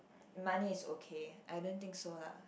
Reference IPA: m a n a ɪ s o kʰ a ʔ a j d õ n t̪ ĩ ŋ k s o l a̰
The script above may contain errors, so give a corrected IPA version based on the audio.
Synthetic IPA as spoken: m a n i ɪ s o kʰ e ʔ a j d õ n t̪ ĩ ŋ k s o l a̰